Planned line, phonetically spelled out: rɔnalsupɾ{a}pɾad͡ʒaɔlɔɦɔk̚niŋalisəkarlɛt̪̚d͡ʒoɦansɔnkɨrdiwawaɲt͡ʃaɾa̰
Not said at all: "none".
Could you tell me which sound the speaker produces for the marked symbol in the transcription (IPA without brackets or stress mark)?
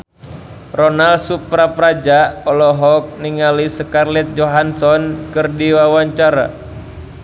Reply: a